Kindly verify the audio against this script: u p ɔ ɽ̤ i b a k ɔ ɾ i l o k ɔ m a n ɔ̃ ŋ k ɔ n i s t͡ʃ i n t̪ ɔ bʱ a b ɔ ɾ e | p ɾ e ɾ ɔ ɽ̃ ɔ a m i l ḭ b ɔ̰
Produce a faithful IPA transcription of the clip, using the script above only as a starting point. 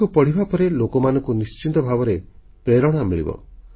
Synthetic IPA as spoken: u p ɔ ɽ̤ i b a p ɔ ɾ e l o k ɔ m a n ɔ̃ ŋ k u n i s t͡ʃ i n t̪ ɔ bʱ a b ɔ ɾ e | p ɾ e ɾ ɔ ɽ̃ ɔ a m i ɭ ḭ b ɔ̰